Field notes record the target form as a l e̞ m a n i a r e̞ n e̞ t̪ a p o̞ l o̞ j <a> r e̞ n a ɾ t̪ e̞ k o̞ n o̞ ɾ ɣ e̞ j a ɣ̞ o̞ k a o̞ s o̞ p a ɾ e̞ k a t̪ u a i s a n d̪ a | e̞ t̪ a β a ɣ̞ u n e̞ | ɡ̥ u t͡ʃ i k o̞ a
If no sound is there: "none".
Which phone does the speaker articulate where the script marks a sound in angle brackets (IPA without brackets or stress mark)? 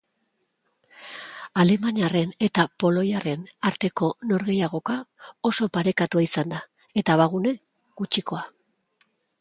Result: a